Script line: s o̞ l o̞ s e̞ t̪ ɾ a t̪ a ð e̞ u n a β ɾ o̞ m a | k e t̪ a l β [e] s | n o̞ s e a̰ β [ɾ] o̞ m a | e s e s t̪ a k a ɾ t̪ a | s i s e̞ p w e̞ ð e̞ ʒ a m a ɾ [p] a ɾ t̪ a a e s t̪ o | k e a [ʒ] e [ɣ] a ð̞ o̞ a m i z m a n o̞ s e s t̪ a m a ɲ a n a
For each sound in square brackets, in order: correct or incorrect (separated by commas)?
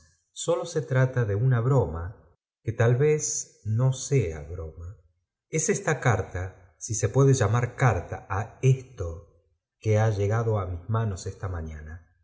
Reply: correct, correct, incorrect, correct, correct